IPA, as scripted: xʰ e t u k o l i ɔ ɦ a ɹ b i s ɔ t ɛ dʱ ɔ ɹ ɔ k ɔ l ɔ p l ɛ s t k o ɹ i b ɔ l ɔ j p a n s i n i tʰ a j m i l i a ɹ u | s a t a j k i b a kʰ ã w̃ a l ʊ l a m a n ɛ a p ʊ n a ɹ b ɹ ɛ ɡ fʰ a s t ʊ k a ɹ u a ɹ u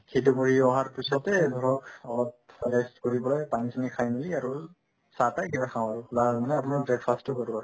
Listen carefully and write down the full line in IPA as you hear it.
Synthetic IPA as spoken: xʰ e t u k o ɹ i ɔ ɦ a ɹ p i s ɔ t ɛ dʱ ɔ ɹ ɔ k ɔ l ɔ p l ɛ s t k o ɹ i b ɔ l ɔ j p a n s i n i kʰ a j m i l i a ɹ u | s a t a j k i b a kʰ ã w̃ a ɹ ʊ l a m a n ɛ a p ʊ n a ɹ b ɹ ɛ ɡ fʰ a s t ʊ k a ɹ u a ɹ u